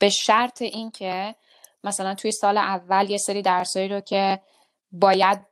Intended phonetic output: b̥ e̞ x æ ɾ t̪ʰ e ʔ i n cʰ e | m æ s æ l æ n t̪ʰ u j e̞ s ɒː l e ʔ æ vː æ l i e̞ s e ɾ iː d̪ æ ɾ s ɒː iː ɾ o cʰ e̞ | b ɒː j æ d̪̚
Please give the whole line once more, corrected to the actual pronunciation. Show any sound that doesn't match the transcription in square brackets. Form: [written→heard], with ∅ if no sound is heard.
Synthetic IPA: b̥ e̞ [x→ʃ] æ ɾ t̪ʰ e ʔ i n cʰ e | m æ s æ l æ n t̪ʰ u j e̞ s ɒː l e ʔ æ vː æ l [i→j] e̞ s e ɾ iː d̪ æ ɾ s ɒː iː ɾ o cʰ e̞ | b ɒː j æ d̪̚